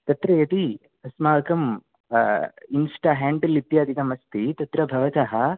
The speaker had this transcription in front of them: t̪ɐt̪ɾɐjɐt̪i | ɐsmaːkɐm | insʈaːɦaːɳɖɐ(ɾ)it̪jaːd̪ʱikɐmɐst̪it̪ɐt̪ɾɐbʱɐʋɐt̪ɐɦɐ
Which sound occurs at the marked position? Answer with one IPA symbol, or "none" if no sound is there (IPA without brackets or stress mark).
l